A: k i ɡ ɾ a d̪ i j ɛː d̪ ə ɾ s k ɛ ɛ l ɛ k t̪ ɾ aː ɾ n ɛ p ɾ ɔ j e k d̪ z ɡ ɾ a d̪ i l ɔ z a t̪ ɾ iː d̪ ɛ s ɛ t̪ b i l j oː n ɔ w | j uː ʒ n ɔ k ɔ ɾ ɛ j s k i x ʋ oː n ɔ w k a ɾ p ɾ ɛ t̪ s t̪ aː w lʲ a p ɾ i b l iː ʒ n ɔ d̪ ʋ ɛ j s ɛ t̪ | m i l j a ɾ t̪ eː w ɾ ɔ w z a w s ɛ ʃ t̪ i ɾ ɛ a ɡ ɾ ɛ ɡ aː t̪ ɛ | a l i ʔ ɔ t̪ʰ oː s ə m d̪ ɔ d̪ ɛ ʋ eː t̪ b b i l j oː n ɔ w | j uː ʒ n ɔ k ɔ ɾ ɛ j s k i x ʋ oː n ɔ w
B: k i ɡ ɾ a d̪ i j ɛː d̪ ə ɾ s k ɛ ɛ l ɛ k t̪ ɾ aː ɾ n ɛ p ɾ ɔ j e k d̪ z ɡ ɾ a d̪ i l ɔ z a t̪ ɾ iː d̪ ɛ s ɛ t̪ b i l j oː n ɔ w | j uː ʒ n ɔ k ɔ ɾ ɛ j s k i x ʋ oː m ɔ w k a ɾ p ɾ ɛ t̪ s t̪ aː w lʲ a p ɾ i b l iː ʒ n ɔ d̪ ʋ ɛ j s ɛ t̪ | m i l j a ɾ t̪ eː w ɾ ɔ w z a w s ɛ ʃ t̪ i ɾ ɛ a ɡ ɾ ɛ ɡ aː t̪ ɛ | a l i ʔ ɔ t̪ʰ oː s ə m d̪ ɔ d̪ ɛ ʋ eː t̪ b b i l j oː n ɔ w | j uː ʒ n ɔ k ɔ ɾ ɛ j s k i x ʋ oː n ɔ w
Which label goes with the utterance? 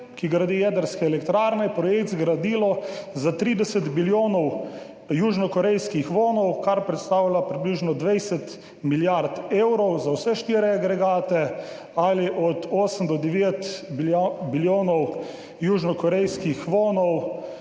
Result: A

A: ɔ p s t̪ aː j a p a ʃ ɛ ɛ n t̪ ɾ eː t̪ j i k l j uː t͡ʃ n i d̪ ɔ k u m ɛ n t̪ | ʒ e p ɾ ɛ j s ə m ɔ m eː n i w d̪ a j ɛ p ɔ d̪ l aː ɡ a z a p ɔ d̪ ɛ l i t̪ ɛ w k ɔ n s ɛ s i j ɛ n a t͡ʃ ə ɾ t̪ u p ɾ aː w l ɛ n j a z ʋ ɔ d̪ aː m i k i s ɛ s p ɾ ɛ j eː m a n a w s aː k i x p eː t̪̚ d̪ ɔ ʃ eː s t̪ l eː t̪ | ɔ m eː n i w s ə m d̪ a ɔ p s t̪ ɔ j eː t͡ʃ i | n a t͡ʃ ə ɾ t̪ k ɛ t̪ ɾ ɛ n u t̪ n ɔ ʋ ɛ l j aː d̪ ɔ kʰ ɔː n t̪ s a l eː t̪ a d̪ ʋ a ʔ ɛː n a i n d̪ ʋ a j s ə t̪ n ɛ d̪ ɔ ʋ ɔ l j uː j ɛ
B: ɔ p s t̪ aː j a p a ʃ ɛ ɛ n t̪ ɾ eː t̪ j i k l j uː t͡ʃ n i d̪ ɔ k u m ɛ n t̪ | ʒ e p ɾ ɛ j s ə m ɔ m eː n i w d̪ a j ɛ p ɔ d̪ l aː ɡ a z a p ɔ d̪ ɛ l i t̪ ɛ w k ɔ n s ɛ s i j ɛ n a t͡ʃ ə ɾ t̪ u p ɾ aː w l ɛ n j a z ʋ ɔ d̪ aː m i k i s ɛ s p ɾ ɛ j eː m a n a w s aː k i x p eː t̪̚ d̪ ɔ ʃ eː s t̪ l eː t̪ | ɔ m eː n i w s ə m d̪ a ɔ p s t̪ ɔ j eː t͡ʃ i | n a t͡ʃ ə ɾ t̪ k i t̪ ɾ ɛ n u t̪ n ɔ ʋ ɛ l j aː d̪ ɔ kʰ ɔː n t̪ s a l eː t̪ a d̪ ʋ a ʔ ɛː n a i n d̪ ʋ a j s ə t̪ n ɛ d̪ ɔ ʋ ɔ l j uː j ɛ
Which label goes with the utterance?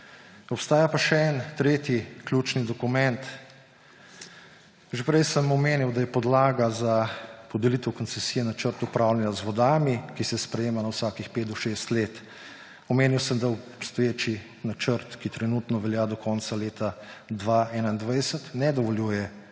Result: B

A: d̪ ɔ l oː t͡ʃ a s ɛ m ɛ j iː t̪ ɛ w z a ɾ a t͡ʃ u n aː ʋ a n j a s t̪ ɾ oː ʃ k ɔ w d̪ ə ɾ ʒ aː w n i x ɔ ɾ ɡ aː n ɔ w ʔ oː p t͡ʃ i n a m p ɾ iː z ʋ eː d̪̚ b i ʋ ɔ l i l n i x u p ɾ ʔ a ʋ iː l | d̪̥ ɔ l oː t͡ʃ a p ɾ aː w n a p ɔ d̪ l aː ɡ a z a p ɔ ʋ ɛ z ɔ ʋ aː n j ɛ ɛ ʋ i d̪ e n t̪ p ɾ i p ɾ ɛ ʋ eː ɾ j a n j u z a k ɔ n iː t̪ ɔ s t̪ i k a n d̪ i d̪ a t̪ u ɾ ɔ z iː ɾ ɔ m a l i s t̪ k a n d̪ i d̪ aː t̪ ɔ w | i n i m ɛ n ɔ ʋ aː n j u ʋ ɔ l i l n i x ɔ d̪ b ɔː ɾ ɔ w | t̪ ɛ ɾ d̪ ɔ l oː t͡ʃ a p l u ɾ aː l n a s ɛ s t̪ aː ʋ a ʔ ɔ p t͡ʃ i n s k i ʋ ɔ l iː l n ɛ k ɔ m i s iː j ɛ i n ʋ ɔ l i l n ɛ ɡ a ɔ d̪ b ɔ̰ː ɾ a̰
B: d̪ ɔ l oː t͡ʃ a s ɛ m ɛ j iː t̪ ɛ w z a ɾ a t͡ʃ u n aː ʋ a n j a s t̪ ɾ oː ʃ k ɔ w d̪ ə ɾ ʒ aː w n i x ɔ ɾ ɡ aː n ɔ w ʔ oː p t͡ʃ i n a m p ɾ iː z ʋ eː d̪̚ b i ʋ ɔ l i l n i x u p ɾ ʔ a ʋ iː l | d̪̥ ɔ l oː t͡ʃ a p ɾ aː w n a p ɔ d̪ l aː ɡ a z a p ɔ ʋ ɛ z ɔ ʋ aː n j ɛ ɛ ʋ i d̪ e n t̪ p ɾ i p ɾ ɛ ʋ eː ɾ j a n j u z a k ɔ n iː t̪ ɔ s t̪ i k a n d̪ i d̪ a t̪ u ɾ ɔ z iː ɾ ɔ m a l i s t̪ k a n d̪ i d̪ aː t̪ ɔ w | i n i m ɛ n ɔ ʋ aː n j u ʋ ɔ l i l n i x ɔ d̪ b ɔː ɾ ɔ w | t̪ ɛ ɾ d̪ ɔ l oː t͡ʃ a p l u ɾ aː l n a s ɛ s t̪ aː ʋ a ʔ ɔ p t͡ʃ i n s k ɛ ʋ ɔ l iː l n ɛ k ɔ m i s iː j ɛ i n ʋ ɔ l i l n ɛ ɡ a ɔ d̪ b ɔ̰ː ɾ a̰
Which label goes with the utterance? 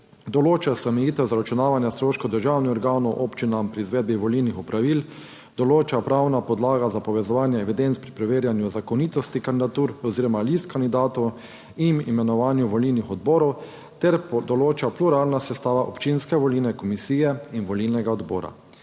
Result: B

